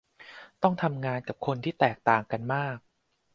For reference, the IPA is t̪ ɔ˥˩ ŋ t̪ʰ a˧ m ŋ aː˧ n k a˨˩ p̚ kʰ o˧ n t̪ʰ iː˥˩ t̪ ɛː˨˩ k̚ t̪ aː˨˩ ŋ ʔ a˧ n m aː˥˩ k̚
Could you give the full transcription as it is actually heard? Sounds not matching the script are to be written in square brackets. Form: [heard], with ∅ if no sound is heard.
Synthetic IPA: t̪ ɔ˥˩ ŋ t̪ʰ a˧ m ŋ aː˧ n k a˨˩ p̚ kʰ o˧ n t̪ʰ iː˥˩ t̪ ɛː˨˩ k̚ t̪ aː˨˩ ŋ [k] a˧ n m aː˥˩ k̚

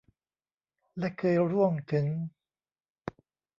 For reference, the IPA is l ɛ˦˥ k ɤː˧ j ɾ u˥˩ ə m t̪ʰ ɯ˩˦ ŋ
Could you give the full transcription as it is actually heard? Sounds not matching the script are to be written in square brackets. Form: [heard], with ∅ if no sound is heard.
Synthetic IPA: l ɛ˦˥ [kʰ] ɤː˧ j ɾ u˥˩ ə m t̪ʰ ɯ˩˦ ŋ

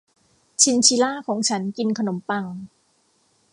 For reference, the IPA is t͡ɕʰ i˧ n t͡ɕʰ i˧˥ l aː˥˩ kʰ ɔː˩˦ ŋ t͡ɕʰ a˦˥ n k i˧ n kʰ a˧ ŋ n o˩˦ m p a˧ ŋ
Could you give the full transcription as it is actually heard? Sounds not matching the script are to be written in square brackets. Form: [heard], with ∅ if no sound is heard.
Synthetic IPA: t͡ɕʰ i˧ n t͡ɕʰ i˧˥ l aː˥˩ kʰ ɔː˩˦ ŋ t͡ɕʰ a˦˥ n k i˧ n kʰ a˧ [∅] n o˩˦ m p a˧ ŋ

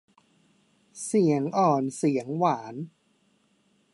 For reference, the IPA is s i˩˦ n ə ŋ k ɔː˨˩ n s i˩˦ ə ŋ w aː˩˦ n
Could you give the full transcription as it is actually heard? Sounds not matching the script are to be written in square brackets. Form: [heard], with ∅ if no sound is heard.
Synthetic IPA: s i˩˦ [∅] ə ŋ [ʔ] ɔː˨˩ n s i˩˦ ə ŋ w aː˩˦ n

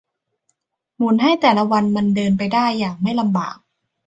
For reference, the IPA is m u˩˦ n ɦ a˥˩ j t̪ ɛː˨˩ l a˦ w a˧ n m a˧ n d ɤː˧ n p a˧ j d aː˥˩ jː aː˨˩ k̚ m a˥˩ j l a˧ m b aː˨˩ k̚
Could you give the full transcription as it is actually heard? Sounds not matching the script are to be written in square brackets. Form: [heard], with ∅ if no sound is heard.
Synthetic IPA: m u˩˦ n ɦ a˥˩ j t̪ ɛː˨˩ l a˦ w a˧ n m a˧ n d ɤː˧ n p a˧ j d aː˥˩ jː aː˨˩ k̚ m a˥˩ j l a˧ m b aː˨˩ k̚

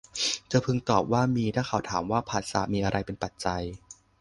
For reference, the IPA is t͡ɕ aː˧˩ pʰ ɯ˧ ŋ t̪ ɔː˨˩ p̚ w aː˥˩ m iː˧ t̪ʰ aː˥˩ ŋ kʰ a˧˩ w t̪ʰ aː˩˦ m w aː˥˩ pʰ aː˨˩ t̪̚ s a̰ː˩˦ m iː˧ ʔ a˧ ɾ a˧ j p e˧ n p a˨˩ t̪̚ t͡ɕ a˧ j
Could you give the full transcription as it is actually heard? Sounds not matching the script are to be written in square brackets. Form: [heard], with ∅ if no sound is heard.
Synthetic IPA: t͡ɕ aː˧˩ pʰ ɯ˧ ŋ t̪ ɔː˨˩ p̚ w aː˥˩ m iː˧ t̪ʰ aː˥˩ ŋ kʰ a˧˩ w t̪ʰ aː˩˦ m w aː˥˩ pʰ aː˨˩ t̪̚ s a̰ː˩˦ m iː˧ ʔ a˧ ɾ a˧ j p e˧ n p a˨˩ t̪̚ t͡ɕ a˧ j

